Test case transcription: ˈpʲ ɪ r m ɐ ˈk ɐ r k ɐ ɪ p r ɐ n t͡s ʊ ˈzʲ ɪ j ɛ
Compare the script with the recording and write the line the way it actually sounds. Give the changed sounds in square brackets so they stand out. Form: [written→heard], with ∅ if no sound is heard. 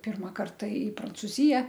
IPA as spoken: ˈpʲ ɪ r m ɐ ˈk ɐ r [k→t] ɐ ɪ p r ɐ n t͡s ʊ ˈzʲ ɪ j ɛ